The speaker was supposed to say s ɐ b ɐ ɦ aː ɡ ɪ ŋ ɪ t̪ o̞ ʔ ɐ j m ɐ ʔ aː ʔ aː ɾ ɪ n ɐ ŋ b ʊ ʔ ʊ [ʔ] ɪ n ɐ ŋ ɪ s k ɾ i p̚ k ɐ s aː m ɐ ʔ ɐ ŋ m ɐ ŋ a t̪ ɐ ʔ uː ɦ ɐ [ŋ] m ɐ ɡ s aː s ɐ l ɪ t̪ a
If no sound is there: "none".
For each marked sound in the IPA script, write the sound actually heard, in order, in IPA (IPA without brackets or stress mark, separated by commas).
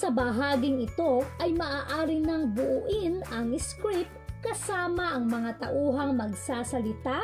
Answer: ʔ, ŋ